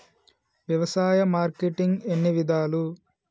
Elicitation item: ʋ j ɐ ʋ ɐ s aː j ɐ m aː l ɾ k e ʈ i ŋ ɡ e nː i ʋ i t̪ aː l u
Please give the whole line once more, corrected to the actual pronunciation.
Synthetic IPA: ʋ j ɐ ʋ ɐ s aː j ɐ m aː ɾ k e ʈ i ŋ ɡ e nː i ʋ i d̪ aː l u

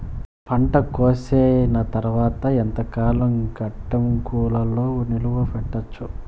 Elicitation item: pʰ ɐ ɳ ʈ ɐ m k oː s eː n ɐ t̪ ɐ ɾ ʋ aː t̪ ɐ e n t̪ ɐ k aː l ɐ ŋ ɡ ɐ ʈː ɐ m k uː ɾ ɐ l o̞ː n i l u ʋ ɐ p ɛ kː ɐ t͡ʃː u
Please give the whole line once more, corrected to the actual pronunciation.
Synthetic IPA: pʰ ɐ ɳ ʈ ɐ k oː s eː n ɐ t̪ ɐ ɾ ʋ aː t̪ ɐ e n t̪ ɐ k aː l ɐ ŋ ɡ ɐ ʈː ɐ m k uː l ɐ l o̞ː n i l u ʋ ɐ p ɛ ʈː ɐ t͡ʃː u

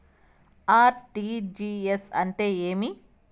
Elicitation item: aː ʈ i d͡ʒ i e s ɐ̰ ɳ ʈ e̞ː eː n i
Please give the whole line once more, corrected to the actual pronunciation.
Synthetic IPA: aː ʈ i d͡ʒ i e s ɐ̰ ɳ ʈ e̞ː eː m i

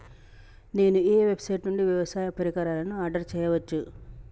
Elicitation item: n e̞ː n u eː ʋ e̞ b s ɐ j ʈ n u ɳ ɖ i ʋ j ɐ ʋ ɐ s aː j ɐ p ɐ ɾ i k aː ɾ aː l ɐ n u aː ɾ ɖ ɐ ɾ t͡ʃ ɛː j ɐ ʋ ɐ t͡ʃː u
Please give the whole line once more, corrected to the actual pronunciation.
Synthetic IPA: n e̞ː n u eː ʋ e̞ b s ɐ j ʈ n u ɳ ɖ i ʋ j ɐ ʋ ɐ s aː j ɐ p ɐ ɾ i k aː ɾ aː l ɐ n u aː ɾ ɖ ɐ ɾ t͡ʃ ɛː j ɐ ʋ ɐ t͡ʃː u

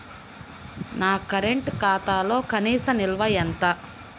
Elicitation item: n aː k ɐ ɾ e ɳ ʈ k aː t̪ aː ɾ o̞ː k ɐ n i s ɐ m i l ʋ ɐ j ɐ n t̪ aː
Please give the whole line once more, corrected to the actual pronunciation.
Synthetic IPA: n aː k ɐ ɾ e ɳ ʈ k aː t̪ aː l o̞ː k ɐ n iː s ɐ m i l ʋ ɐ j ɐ n t̪ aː

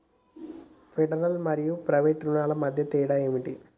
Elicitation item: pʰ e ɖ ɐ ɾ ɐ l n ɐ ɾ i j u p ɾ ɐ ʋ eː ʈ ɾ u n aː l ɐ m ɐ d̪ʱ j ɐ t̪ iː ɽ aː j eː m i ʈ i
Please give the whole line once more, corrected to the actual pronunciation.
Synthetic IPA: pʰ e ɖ ɐ ɾ ɐ l m ɐ ɾ i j u p ɾ ɐ ʋ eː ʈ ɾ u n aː l ɐ m ɐ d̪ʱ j ɐ t̪ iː ɽ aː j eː m i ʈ i

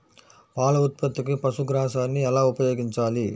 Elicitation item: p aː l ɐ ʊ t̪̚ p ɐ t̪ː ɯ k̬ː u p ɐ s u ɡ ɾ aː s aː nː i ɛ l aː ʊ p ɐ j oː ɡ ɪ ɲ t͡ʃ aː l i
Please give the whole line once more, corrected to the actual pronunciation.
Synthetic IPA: p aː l ɐ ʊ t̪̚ p ɐ t̪ː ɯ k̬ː ɯ p ɐ s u ɡ ɾ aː s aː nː i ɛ l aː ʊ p ɐ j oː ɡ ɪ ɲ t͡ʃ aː l i

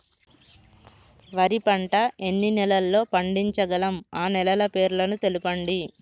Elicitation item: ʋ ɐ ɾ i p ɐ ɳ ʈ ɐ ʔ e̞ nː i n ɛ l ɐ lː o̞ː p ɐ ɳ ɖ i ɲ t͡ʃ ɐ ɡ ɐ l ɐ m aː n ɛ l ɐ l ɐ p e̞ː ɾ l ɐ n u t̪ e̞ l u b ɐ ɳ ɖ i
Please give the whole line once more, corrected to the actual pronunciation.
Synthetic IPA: ʋ ɐ ɾ i p ɐ ɳ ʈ ɐ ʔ e̞ nː i n ɛ l ɐ lː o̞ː p ɐ ɳ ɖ i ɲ t͡ʃ ɐ ɡ ɐ l ɐ m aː n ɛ l ɐ l ɐ p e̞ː ɾ l ɐ n u t̪ e̞ l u p ɐ ɳ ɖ i

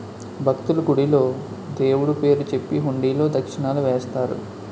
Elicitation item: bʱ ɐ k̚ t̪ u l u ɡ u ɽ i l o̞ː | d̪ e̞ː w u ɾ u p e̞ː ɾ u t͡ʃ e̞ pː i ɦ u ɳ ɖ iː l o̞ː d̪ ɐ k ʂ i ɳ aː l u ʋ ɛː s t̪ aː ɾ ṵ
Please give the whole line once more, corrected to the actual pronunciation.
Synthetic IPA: bʱ ɐ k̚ t̪ u l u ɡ u ɽ i l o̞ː | d̪ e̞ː w u ɽ u p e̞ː ɾ u t͡ʃ e̞ pː i ɦ u ɳ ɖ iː l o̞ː d̪ ɐ k ʂ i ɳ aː l u ʋ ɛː s t̪ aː ɾ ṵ

